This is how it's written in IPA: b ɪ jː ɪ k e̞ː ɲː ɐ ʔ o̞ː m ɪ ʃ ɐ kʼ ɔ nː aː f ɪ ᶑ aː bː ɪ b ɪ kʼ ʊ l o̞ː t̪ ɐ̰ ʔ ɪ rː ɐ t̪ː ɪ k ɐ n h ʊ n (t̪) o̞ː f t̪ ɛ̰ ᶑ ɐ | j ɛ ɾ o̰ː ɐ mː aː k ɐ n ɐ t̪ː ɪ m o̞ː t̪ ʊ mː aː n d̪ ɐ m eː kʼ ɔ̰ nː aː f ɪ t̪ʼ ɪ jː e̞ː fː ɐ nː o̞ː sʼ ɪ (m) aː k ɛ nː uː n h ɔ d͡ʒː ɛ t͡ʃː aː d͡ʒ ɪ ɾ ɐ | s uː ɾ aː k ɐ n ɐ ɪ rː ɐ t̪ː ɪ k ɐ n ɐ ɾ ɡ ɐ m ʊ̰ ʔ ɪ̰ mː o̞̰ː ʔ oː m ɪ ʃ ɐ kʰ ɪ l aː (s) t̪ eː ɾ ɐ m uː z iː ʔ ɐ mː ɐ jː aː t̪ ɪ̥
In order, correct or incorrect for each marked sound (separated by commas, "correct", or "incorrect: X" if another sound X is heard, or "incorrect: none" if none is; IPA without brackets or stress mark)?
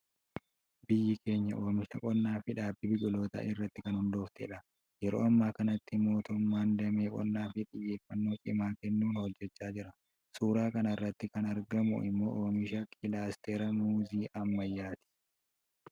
incorrect: d̪, correct, correct